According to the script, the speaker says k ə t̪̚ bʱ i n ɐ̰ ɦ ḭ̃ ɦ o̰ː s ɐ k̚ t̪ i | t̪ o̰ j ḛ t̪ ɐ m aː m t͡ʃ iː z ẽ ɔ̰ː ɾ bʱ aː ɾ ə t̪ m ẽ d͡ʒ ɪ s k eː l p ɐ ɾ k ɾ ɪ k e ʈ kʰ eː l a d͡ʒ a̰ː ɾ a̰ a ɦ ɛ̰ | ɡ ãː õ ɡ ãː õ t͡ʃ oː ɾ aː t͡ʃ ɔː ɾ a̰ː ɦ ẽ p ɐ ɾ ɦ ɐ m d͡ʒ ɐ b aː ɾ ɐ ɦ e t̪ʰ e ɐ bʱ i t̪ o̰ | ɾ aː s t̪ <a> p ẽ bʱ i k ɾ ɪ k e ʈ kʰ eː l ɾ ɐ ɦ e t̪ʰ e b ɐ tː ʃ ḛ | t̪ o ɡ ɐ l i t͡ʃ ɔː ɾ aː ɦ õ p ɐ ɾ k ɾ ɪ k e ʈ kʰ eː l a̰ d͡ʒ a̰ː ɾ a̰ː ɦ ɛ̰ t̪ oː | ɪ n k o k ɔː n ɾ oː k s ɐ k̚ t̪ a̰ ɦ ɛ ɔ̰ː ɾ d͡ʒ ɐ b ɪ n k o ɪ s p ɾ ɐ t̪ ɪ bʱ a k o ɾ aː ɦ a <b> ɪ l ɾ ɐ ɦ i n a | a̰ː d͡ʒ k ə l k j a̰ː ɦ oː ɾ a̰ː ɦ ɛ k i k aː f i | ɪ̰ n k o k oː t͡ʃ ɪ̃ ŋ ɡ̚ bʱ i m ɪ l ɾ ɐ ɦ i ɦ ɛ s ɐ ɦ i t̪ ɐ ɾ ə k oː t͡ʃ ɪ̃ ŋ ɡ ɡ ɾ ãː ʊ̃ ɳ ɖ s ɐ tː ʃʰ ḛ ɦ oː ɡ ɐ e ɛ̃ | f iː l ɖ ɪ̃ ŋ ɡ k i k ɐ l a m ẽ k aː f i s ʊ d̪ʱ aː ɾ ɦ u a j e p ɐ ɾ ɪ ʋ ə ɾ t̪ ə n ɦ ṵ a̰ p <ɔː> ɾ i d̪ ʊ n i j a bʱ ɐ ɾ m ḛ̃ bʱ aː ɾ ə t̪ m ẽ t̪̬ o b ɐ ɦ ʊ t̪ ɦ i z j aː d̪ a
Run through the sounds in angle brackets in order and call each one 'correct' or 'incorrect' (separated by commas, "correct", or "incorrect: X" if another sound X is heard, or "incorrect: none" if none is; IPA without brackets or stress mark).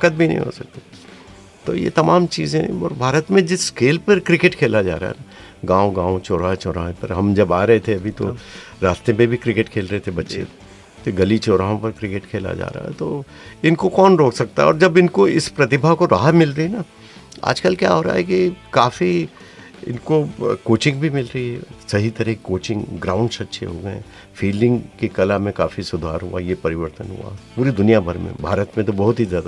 incorrect: e, incorrect: m, incorrect: uː